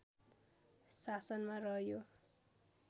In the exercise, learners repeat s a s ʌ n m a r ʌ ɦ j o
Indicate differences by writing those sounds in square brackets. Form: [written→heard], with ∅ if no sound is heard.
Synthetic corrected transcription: s a s ʌ n m a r ʌ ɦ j o